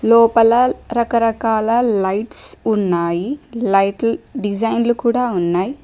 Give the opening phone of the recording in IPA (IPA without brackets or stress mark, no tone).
l